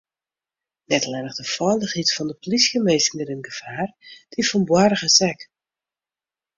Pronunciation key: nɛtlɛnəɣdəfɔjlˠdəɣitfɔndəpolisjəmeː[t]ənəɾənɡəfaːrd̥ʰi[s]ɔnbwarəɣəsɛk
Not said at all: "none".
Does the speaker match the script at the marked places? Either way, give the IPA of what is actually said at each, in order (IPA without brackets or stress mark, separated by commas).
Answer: s, f